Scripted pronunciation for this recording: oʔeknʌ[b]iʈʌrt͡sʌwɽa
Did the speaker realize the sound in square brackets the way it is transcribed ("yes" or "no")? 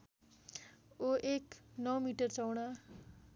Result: no